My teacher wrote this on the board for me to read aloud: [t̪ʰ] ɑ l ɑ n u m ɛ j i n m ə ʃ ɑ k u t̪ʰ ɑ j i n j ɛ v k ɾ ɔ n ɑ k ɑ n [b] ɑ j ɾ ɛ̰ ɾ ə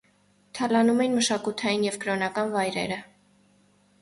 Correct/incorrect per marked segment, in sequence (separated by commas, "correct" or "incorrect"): correct, incorrect